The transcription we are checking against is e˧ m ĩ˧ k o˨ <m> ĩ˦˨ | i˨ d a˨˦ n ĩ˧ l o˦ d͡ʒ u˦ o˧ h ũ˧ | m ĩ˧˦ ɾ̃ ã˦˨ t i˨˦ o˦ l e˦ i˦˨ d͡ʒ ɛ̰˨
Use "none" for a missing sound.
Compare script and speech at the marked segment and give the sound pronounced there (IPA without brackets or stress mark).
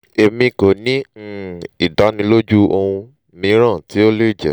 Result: n